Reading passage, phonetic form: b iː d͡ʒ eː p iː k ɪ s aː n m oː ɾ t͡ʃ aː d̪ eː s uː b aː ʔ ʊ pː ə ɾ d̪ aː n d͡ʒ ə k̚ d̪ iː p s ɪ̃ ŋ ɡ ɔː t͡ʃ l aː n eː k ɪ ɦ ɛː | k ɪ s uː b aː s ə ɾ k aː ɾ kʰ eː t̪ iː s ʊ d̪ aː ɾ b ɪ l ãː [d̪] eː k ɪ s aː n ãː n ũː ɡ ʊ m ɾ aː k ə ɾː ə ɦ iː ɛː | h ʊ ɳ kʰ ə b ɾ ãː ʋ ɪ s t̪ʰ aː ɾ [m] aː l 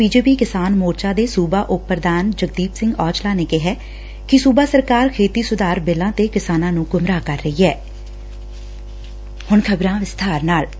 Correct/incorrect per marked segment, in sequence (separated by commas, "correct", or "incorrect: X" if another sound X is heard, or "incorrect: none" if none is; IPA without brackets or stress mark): incorrect: t̪, incorrect: n